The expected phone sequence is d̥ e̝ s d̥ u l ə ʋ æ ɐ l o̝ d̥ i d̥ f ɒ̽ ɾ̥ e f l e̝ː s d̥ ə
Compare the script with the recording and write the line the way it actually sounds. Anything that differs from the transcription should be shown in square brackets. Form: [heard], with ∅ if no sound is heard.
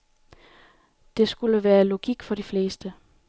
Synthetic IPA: d̥ e̝ s [ɡ̥] u l ə ʋ [æː] ɐ l o̝ [ɡ̥] i [ɡ̥] f ɒ̽ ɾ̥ [i] f l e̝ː s d̥ ə